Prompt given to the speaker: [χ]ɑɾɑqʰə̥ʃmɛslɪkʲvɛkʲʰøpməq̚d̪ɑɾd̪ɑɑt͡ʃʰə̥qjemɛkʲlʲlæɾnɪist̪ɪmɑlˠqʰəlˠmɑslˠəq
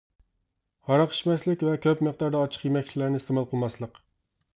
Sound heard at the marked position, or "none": h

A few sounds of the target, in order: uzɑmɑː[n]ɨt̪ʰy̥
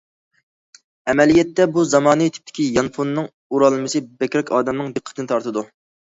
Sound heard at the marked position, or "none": n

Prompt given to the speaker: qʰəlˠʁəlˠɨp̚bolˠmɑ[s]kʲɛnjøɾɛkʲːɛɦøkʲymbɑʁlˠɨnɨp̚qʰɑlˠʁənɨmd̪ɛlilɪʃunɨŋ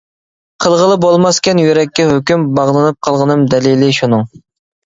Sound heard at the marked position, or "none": s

